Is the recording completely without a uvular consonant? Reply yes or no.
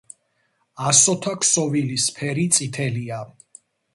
yes